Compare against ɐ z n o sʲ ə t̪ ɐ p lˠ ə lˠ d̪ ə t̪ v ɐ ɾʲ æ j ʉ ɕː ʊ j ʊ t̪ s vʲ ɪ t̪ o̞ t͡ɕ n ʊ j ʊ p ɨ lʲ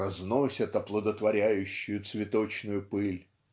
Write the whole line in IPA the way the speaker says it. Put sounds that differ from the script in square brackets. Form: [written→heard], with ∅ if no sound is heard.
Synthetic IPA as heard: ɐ z n o sʲ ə t̪ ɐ p lˠ ə [lˠ→∅] d̪ ə t̪ v ɐ ɾʲ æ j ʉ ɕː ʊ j ʊ t̪ s vʲ ɪ t̪ o̞ t͡ɕ n ʊ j ʊ p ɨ lʲ